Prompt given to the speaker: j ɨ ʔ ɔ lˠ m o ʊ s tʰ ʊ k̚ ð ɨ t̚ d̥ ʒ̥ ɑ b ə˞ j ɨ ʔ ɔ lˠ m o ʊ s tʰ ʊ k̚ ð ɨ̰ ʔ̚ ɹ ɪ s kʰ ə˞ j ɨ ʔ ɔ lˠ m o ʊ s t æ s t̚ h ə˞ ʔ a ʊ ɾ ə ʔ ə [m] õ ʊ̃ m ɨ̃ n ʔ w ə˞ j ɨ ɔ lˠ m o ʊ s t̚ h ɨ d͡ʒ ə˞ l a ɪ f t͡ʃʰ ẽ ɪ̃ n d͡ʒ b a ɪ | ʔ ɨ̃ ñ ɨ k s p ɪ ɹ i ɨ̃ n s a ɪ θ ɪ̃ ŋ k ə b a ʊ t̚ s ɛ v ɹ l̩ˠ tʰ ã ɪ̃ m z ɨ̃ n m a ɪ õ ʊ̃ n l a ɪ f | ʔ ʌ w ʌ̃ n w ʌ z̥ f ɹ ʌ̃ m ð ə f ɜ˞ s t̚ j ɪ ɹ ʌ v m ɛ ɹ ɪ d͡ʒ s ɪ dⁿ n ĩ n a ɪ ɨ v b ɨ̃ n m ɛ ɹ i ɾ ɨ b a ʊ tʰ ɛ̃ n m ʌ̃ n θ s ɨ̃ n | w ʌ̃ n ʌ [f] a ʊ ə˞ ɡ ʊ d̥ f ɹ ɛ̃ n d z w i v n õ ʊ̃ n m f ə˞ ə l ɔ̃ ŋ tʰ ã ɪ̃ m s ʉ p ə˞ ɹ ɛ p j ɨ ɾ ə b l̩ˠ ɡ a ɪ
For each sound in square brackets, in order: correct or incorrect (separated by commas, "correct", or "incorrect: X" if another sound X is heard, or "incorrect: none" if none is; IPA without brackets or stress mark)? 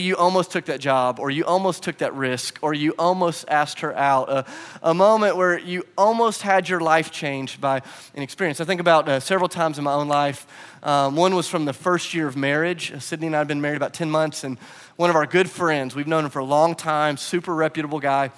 correct, incorrect: v